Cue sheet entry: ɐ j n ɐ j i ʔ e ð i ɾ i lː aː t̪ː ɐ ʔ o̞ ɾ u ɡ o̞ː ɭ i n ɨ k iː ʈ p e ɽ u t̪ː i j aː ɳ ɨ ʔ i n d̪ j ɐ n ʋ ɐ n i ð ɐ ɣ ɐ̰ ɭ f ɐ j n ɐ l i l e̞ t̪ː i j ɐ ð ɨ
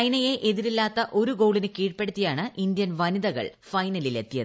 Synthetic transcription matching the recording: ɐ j n ɐ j e ʔ e ð i ɾ i lː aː t̪ː ɐ ʔ o̞ ɾ u ɡ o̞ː ɭ i n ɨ k iː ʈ p e ɽ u t̪ː i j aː ɳ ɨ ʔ i n d̪ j ɐ n ʋ ɐ n i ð ɐ ɣ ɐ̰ ɭ f ɐ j n ɐ l i l e̞ t̪ː i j ɐ ð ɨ